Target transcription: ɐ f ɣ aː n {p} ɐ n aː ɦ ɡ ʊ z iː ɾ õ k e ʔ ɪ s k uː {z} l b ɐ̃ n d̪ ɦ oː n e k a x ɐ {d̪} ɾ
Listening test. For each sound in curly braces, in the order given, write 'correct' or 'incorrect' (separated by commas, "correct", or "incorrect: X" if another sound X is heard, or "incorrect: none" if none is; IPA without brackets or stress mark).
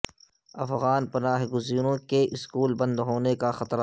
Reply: correct, incorrect: none, incorrect: t̪